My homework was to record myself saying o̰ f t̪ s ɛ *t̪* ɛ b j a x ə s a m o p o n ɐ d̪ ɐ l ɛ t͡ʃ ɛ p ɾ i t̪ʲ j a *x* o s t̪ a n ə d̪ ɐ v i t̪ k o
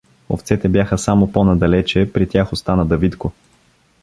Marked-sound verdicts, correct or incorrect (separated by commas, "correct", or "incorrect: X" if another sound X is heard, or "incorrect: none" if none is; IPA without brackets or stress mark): correct, correct